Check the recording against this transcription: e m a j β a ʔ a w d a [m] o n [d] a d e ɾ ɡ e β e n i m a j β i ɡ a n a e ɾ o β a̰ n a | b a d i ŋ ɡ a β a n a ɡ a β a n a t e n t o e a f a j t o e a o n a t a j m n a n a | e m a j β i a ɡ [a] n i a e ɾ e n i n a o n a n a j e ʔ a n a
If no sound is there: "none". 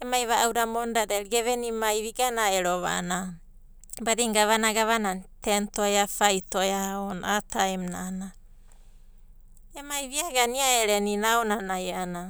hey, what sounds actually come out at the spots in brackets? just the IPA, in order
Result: m, d, a

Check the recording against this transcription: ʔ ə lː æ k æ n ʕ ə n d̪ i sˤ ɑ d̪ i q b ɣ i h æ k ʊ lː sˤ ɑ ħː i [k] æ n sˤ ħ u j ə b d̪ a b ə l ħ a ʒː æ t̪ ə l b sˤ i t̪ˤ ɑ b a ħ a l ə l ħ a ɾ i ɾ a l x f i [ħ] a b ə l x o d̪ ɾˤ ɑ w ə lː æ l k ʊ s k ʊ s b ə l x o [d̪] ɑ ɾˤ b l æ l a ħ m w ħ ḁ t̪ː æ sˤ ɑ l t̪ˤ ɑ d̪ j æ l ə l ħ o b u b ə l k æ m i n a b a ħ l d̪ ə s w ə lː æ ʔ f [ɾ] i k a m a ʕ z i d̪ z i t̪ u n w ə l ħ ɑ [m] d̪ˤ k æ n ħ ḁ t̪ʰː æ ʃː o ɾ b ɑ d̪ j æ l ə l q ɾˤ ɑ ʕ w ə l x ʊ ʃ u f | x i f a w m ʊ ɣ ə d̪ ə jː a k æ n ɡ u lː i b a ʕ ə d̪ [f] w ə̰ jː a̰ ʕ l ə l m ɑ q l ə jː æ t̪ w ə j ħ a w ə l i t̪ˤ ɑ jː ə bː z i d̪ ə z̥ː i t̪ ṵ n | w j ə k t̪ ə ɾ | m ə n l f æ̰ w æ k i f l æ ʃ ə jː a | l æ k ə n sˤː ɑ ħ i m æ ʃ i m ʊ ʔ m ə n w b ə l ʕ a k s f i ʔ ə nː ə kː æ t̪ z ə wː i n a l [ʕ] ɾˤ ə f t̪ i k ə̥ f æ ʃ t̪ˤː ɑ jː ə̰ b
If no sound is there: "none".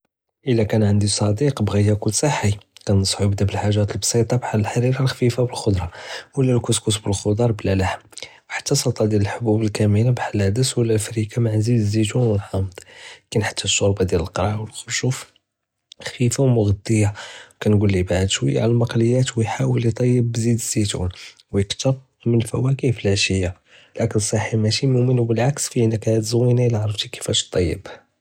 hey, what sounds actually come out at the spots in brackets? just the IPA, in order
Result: k, f, d̪, ɾ, m, ʃ, ʕ

